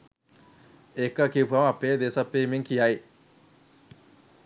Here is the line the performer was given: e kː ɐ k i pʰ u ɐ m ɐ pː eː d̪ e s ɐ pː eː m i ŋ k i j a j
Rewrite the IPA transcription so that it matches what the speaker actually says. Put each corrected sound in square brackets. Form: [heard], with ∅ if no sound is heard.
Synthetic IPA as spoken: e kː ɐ k i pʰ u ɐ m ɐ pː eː d̪ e s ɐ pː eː m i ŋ k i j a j